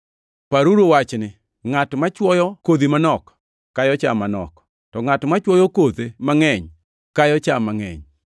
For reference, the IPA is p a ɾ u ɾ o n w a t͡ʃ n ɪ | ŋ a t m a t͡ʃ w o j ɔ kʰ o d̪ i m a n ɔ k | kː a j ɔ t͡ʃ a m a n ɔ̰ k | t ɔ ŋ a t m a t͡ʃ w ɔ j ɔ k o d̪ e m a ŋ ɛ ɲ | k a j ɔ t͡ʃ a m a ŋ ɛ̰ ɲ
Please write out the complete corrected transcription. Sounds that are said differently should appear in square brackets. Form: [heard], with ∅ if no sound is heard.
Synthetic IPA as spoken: p a ɾ u ɾ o [∅] w a t͡ʃ n ɪ | ŋ a t m a t͡ʃ w [ɔ] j ɔ [k] o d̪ i m a n ɔ k | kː a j ɔ t͡ʃ a m a n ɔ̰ k | t ɔ ŋ a t m a t͡ʃ w ɔ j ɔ k o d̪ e m a ŋ ɛ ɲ | k a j ɔ t͡ʃ a m a ŋ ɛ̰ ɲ